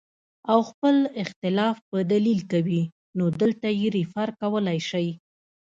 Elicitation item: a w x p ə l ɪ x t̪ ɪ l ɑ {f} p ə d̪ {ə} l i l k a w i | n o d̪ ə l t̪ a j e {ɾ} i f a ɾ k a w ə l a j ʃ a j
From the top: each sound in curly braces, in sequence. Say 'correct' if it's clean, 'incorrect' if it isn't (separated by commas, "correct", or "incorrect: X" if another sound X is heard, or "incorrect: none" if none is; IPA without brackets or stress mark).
correct, incorrect: a, correct